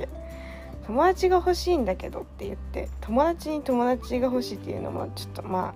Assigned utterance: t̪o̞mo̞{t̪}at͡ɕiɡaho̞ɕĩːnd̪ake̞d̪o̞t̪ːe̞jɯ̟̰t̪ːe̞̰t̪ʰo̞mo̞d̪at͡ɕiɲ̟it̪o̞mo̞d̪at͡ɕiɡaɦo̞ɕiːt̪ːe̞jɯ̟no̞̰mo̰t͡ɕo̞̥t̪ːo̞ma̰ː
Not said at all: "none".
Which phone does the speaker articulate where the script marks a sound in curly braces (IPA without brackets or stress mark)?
d̪